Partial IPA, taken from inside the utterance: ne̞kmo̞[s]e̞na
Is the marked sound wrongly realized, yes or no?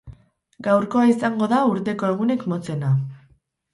yes